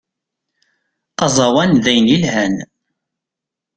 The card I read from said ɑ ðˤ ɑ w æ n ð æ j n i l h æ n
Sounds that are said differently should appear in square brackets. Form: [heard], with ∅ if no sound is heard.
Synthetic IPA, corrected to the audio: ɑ [zˤ] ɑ w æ n ð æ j n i l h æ n